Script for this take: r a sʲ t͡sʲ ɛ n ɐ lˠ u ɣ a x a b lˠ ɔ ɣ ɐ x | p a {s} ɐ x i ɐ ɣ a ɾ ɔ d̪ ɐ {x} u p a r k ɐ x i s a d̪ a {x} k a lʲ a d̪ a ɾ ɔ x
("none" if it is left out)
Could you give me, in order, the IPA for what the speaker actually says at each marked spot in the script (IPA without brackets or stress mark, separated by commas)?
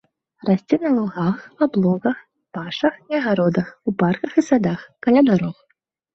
ʂ, x, x